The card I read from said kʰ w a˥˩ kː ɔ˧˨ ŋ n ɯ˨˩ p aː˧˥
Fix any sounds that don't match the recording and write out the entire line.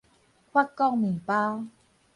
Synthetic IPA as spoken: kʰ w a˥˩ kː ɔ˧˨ ŋ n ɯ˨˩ p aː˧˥